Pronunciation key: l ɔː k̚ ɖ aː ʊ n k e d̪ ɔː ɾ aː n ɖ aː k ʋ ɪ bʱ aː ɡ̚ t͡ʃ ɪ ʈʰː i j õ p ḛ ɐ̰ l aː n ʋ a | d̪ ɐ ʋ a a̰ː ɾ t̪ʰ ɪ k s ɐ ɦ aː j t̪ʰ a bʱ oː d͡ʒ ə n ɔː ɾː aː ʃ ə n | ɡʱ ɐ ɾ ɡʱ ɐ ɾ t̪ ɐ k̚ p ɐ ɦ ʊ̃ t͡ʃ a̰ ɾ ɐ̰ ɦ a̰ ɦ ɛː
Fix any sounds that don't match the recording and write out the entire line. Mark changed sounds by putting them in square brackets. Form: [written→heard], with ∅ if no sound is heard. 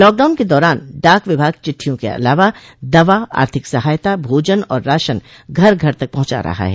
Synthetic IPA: l ɔː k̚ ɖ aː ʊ n k e d̪ ɔː ɾ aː n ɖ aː k ʋ ɪ bʱ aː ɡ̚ t͡ʃ ɪ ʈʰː i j õ [p→k] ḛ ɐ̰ l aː [n→∅] ʋ a | d̪ ɐ ʋ a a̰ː ɾ t̪ʰ ɪ k s ɐ ɦ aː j [t̪ʰ→t̪] a bʱ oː d͡ʒ ə n ɔː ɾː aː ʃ ə n | ɡʱ ɐ ɾ ɡʱ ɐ ɾ t̪ ɐ k̚ p ɐ ɦ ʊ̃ t͡ʃ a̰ ɾ ɐ̰ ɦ a̰ ɦ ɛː

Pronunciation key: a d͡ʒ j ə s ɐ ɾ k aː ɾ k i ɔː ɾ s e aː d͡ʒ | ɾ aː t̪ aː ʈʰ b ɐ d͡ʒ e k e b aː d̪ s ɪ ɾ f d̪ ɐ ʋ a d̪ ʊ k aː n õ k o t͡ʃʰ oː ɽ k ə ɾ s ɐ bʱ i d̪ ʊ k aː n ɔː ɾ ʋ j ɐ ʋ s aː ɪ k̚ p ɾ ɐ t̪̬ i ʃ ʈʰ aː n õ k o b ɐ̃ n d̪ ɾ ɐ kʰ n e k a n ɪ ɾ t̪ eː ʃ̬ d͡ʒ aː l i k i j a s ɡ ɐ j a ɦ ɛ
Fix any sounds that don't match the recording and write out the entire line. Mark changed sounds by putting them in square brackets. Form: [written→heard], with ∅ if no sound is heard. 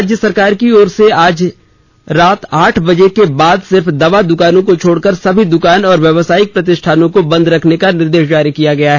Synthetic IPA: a d͡ʒ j ə s ɐ ɾ k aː ɾ k i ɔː ɾ s e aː d͡ʒ | ɾ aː t̪ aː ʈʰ b ɐ d͡ʒ e k e b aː d̪ s ɪ ɾ f d̪ ɐ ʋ a d̪ ʊ k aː n õ k o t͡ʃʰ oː ɽ k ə ɾ s ɐ bʱ i d̪ ʊ k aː n ɔː ɾ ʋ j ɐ ʋ s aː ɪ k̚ p ɾ ɐ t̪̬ [i→ɪ] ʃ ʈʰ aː n õ k o b ɐ̃ n d̪ ɾ ɐ kʰ n e k a n ɪ ɾ [t̪→d̪] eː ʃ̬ d͡ʒ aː [l→ɾ] i k i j a [s→∅] ɡ ɐ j a ɦ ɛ

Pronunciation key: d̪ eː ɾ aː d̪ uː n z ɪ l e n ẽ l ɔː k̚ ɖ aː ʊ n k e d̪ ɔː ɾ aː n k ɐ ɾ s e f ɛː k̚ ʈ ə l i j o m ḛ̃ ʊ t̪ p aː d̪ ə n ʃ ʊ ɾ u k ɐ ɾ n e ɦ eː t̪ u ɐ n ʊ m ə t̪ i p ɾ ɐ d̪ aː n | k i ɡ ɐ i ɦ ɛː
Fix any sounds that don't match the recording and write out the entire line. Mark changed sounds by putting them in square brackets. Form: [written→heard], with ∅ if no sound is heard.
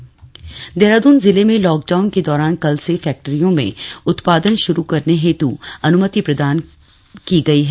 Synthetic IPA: d̪ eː ɾ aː d̪ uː n z ɪ l e [n→m] ẽ l ɔː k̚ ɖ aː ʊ n k e d̪ ɔː ɾ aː n k ɐ [ɾ→l] s e f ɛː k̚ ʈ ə [l→ɾ] i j [o→õ] m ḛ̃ ʊ t̪ p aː d̪ ə n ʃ ʊ ɾ u k ɐ ɾ n e ɦ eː t̪ u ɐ n ʊ m ə t̪ i p ɾ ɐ d̪ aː n | k i ɡ ɐ i ɦ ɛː

